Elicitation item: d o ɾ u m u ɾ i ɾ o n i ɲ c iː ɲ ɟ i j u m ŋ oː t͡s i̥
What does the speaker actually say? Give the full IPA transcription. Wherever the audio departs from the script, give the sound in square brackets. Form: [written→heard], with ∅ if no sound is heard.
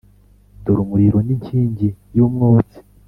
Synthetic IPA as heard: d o ɾ u m u ɾ i ɾ o n i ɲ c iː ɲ ɟ i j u m ŋ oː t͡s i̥